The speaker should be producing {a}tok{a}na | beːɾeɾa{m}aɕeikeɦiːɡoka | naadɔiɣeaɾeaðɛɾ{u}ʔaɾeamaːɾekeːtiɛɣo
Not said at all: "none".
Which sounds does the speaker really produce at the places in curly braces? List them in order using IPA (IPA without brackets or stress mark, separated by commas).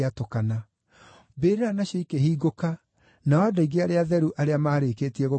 a, a, n, u